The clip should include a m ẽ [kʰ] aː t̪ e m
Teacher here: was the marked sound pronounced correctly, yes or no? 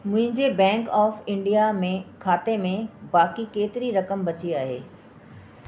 yes